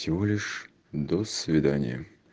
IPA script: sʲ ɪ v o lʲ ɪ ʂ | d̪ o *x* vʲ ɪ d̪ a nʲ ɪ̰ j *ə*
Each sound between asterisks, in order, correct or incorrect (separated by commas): incorrect, correct